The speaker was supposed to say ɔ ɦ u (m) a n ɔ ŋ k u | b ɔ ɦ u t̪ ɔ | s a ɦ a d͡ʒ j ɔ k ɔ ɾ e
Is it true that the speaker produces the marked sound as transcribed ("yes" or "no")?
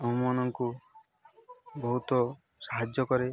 yes